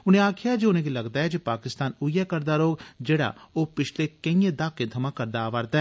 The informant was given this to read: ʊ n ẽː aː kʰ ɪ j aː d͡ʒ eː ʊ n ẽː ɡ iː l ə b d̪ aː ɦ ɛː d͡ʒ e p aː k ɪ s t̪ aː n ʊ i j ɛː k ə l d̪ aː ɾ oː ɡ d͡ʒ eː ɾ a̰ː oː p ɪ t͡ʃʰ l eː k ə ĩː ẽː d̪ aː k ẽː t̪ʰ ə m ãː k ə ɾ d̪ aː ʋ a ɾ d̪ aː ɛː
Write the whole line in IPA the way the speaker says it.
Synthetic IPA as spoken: ʊ n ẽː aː kʰ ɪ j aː d͡ʒ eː ʊ n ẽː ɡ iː l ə ɡ d̪ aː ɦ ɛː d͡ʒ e p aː k ɪ s t̪ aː n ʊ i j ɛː k ə ɾ d̪ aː ɾ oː ɡ d͡ʒ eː ɽ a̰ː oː p ɪ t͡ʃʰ l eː k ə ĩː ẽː d̪ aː k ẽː t̪ʰ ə m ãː k ə ɾ d̪ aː ʋ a ɾ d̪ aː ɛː